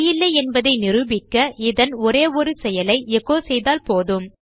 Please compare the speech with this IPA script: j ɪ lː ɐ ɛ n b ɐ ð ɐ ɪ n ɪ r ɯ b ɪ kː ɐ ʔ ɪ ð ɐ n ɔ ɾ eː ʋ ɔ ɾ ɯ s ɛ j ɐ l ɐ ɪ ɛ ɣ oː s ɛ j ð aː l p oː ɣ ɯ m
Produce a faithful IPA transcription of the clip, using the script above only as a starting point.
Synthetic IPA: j ɪ lː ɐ ɛ n b ɐ ð ɐ ɪ n ɪ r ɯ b ɪ kː ɐ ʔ ɪ ð ɐ n ɔ ɾ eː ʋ ɔ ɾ ɯ s ɛ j ɐ l ɐ ɪ ɛ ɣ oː s ɛ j ð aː l p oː ð ɯ m